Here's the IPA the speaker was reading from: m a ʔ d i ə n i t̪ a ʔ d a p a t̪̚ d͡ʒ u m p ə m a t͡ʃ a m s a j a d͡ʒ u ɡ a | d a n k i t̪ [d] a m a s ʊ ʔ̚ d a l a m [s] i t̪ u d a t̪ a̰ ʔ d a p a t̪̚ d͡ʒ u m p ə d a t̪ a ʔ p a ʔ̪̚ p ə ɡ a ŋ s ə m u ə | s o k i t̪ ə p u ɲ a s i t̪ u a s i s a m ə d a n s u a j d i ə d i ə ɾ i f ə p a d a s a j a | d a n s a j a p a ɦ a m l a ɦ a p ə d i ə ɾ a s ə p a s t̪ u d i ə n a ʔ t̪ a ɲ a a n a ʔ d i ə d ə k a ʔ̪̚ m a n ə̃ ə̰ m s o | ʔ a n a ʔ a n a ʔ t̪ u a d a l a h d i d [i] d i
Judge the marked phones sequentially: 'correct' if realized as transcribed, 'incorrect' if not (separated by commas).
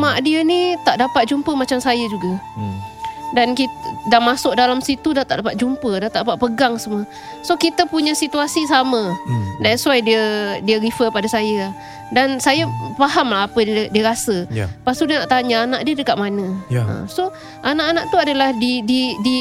correct, correct, correct